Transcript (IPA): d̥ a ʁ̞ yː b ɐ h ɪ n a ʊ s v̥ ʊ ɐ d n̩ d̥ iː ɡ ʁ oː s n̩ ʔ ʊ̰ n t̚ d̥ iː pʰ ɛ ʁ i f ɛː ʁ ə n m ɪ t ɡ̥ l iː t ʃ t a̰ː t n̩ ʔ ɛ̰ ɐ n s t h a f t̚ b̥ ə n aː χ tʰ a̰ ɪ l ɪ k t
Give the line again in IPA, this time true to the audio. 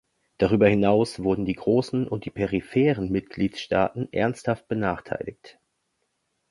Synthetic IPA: d̥ a ʁ̞ yː b ɐ h ɪ n a ʊ s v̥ ʊ ɐ d n̩ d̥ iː ɡ ʁ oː s n̩ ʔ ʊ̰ n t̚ d̥ iː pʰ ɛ ʁ i f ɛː ʁ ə n m ɪ t ɡ̥ l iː t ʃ t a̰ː t n̩ ʔ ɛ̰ ɐ n s t h a f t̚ b̥ ə n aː χ tʰ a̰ ɪ l ɪ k t